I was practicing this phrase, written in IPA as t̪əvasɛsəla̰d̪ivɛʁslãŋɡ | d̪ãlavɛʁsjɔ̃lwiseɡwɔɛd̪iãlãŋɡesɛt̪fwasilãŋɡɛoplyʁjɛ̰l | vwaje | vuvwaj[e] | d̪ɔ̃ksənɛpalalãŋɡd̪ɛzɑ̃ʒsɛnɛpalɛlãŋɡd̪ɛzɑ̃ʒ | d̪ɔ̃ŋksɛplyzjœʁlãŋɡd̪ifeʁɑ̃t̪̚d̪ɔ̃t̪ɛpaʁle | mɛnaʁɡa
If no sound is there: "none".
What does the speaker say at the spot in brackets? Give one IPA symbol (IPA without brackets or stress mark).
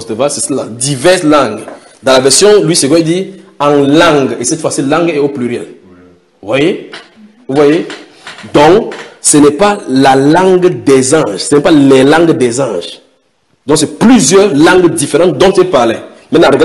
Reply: e